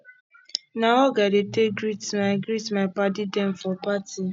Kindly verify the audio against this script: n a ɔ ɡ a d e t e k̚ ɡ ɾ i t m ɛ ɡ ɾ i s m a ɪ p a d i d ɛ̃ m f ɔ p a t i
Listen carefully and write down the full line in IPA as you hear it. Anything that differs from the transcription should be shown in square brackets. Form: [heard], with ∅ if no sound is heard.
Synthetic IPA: n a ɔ ɡ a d e t e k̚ ɡ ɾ i t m [a] ɡ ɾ i [t] m a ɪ p a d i d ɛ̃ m f ɔ p a t i